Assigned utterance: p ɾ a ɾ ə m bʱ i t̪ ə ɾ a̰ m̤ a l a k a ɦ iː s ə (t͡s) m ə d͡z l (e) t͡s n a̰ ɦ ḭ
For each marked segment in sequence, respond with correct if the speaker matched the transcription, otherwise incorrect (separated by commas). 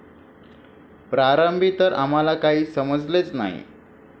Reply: incorrect, correct